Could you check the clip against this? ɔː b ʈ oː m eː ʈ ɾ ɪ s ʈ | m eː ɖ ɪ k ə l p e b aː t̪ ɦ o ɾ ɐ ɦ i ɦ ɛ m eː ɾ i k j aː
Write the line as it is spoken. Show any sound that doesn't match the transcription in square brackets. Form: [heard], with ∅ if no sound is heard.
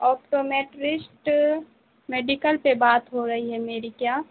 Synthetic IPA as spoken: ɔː [p] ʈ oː m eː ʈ ɾ ɪ s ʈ | m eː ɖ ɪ k ə l p e b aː t̪ ɦ o ɾ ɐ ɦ i ɦ ɛ m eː ɾ i k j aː